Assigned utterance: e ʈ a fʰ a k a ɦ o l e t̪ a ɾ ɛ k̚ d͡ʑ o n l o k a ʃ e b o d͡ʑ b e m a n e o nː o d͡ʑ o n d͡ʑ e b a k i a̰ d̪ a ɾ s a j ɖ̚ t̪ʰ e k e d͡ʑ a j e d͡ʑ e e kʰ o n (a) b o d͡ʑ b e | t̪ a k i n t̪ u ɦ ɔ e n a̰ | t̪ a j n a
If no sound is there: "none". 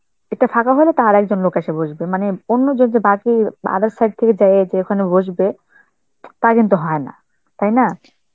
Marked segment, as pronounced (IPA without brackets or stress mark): e